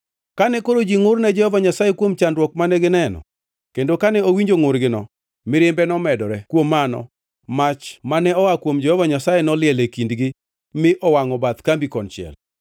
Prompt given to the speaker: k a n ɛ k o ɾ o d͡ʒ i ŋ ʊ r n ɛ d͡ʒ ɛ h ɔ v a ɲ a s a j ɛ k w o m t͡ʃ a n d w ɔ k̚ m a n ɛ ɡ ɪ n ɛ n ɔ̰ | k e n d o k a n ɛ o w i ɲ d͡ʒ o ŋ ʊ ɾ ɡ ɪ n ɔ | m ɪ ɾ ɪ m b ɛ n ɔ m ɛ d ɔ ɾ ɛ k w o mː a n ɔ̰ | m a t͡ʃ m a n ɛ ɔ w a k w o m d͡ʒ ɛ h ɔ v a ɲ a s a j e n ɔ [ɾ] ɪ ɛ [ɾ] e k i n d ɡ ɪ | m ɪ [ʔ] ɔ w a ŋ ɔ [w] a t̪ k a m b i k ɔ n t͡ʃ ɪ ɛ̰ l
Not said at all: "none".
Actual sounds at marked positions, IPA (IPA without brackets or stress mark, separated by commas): l, l, ʔ, b